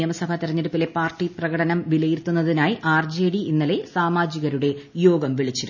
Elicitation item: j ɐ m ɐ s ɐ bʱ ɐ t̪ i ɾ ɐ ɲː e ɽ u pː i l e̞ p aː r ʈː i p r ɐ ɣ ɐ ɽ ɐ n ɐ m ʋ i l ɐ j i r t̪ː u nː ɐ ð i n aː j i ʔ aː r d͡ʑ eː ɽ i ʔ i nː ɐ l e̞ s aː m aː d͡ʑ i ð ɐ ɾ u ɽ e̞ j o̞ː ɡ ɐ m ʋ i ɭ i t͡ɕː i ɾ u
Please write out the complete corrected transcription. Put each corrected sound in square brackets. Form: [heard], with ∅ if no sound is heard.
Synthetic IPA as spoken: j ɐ m ɐ s ɐ bʱ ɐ t̪ i ɾ ɐ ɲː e ɽ u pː i l e̞ p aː r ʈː i p r ɐ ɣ ɐ ɽ ɐ n ɐ m ʋ i l ɐ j i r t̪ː u nː ɐ ð i n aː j i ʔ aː r d͡ʑ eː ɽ i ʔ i nː ɐ l e̞ s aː m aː d͡ʑ i [ɣ] ɐ ɾ u ɽ e̞ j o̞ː ɡ ɐ m ʋ i ɭ i t͡ɕː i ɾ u